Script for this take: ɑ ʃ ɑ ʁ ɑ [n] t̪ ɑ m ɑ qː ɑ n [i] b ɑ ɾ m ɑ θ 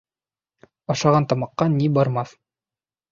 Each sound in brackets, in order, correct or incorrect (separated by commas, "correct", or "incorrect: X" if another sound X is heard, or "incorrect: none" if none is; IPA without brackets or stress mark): correct, correct